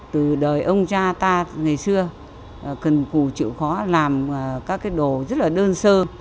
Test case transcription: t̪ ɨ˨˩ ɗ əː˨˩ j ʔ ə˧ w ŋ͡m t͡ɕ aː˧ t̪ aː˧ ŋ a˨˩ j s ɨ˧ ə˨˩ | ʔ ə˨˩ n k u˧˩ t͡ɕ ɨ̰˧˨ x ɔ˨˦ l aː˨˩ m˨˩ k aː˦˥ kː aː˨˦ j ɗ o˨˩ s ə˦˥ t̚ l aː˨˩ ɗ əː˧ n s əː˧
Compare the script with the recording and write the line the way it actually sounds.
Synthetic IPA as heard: t̪ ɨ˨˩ ɗ əː˨˩ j ʔ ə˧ w ŋ͡m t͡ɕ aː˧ t̪ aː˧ ŋ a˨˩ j s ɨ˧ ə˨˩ | k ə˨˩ n k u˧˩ t͡ɕ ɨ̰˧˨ x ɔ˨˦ l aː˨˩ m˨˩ k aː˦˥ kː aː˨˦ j ɗ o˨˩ z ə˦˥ t̚ l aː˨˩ ɗ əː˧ n s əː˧